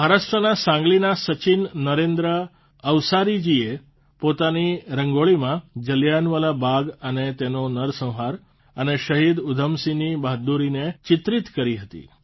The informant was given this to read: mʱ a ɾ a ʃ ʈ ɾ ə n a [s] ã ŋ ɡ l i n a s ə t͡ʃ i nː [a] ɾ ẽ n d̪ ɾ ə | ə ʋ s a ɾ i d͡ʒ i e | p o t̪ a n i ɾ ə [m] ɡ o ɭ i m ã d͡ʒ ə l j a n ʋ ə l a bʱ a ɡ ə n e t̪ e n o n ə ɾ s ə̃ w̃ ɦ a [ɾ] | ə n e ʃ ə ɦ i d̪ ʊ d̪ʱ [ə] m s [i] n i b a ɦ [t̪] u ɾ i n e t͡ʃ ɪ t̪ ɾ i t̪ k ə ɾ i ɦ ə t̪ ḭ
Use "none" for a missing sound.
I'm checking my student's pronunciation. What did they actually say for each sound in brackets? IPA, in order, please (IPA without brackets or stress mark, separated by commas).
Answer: s, ə, ŋ, ɾ, ə, i, d̪